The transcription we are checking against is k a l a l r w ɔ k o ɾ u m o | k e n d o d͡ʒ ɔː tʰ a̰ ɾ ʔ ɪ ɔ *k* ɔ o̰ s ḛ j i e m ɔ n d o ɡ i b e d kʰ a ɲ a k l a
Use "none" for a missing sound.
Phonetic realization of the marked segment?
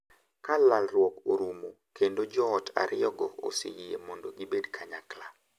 ɡ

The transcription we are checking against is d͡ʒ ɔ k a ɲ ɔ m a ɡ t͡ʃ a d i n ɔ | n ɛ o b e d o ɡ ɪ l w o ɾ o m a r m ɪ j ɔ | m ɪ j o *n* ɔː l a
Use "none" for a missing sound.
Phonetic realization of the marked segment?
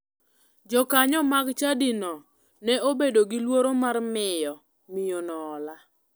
n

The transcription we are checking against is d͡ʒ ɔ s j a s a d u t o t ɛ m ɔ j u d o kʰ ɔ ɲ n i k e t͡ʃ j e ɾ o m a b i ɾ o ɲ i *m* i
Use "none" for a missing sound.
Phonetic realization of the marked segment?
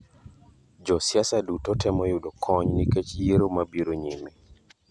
m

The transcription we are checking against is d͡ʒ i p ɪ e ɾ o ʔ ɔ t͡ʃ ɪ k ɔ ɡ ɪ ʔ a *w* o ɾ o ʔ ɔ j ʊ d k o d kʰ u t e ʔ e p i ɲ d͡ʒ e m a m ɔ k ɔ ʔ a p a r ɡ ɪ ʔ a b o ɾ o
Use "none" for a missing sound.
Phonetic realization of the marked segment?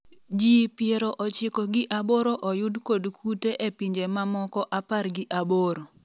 b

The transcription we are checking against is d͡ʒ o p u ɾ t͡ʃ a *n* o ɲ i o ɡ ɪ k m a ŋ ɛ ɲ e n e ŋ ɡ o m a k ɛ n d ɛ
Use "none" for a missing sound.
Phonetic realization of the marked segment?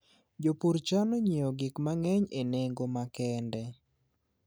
n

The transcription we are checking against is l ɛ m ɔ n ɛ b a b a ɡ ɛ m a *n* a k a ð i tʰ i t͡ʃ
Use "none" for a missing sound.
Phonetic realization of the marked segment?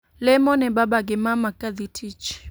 m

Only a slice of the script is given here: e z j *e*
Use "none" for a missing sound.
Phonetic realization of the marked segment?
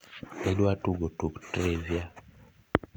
a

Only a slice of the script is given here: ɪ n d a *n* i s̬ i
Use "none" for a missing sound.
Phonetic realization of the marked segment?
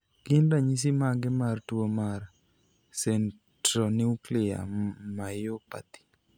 ɲ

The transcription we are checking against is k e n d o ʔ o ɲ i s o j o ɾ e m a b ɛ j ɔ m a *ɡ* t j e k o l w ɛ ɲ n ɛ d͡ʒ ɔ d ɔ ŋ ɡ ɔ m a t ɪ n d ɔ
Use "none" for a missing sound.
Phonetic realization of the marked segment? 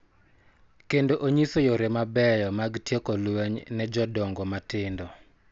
ɡ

